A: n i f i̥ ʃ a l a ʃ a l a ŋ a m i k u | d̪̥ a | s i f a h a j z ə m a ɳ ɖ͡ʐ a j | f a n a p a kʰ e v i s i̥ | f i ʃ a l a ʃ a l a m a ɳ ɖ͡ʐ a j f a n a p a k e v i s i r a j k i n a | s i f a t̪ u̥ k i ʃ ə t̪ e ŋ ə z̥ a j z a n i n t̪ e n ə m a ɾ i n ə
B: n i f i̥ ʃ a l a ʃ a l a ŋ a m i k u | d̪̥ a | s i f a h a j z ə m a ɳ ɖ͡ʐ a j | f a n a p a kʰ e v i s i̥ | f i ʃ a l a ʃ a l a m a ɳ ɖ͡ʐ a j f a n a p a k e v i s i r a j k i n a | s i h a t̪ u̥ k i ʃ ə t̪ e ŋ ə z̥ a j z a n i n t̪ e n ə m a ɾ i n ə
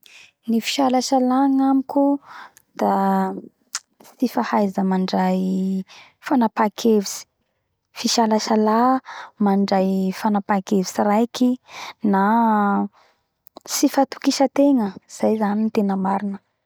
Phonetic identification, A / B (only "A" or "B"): A